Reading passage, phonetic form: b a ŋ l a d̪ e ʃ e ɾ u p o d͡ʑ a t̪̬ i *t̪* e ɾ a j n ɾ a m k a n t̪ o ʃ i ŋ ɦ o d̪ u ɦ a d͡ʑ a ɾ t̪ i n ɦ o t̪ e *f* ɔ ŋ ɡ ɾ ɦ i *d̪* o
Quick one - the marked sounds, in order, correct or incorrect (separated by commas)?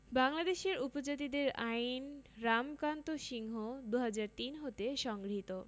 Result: incorrect, incorrect, incorrect